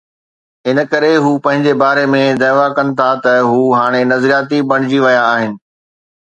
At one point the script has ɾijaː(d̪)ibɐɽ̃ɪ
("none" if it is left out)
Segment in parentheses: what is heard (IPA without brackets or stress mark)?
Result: t̪